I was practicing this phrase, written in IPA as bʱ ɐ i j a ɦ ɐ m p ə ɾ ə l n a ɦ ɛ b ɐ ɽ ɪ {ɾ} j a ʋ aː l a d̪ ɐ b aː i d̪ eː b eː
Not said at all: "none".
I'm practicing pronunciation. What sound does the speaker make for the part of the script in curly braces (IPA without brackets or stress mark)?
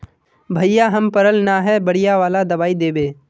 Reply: none